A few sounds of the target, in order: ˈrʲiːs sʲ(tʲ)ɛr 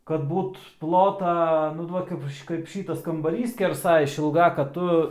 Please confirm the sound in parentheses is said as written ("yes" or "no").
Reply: no